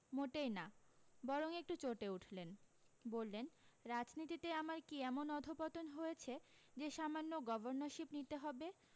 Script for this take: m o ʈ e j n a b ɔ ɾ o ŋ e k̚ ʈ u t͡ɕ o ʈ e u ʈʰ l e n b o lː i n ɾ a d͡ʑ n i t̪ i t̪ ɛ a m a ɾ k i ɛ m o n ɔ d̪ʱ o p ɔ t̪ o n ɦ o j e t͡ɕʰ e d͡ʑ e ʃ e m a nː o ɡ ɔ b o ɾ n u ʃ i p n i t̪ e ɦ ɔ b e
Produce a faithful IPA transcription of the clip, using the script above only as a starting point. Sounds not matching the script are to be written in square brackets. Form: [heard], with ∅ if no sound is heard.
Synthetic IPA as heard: m o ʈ e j n a b ɔ ɾ o ŋ e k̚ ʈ u t͡ɕ o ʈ e u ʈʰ l e n b o lː [e] n ɾ a d͡ʑ n i t̪ i t̪ [e] a m a ɾ k i ɛ m o n ɔ d̪ʱ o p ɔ t̪ o n ɦ o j e t͡ɕʰ e d͡ʑ e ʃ [a] m a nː o ɡ ɔ b o ɾ n [o] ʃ i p n i t̪ e ɦ ɔ b e